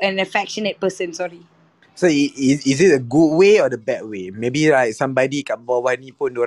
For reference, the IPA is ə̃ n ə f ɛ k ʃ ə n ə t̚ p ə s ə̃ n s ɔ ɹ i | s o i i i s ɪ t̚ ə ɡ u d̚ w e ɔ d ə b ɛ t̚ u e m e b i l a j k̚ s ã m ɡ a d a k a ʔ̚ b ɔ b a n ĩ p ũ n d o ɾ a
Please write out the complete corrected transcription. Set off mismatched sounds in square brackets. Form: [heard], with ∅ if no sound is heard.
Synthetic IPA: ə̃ n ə f ɛ k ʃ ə n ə t̚ p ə s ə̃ n s ɔ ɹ i | s o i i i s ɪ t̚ ə ɡ u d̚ w e ɔ d ə b ɛ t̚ [w] e m e b i l a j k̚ s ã m [b] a d [i] k a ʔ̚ b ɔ [w] a n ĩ p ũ n d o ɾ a